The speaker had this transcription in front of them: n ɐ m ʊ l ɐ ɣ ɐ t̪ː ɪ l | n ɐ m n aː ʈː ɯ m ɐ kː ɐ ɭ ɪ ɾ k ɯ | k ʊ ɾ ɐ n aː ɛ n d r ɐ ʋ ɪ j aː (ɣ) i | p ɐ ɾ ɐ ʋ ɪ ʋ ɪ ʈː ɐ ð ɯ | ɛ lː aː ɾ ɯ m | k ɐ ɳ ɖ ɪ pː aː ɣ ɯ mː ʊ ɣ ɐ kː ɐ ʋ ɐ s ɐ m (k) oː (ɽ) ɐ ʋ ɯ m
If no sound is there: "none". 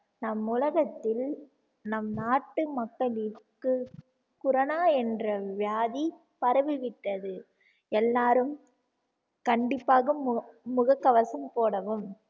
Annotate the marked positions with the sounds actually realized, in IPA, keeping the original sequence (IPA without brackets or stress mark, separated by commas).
ð, p, ɽ